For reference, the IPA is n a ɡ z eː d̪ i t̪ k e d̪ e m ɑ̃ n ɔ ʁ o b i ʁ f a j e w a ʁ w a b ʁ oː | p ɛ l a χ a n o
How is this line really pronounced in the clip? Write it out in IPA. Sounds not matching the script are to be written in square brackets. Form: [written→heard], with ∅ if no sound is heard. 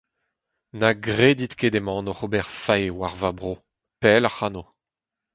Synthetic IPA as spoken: n a ɡ [z→ʁ] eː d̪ i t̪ k e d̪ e m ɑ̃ n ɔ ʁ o b [i→ɛ] ʁ f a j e w a ʁ [w→v] a b ʁ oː | p ɛ l a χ a n o